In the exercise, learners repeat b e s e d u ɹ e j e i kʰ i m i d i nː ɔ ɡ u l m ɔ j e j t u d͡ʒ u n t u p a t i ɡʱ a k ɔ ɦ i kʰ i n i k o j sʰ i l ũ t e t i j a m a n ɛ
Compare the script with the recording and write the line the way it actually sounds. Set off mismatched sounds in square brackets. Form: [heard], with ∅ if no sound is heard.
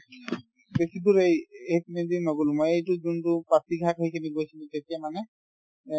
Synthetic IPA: b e s [i] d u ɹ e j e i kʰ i [n] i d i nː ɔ ɡ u l m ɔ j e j t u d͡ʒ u n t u p a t i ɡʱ a k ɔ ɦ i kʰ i n i [ɡ] o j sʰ i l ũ t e t i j a m a n ɛ